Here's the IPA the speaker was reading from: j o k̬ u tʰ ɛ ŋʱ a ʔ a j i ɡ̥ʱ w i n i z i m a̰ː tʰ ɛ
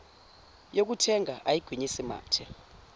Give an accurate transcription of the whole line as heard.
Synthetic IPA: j o k̬ u tʰ ɛ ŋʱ a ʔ a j i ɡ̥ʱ w i ɲ i s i m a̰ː tʰ ɛ